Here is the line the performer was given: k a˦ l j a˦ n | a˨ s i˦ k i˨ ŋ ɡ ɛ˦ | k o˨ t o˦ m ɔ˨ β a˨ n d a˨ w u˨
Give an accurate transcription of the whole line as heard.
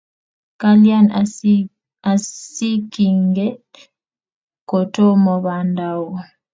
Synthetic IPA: k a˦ l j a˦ n | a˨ s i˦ k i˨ ŋ ɡ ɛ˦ | k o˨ t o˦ m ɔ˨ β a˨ n d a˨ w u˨